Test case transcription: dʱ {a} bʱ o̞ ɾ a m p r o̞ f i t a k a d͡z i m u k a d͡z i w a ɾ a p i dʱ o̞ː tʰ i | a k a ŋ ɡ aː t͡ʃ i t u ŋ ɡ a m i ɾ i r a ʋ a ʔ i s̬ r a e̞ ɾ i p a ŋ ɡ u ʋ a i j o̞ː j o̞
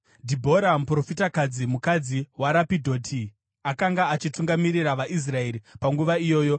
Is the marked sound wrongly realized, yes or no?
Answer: yes